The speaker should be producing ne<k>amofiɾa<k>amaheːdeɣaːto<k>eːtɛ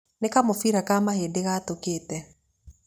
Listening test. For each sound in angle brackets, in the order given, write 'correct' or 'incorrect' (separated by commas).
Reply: correct, correct, correct